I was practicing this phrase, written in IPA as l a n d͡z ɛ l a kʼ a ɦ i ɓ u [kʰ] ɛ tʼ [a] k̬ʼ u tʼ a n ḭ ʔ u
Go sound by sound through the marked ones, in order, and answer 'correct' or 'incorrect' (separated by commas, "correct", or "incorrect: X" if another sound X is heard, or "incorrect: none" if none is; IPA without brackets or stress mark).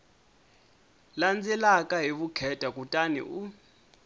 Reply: correct, correct